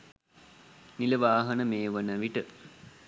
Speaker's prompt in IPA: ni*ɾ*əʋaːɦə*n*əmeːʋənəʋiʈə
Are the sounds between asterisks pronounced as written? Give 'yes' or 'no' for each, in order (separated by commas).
no, yes